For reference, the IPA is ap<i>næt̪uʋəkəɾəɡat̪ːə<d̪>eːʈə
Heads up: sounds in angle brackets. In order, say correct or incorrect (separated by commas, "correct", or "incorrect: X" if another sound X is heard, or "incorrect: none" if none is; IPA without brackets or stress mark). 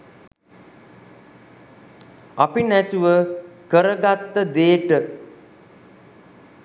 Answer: correct, correct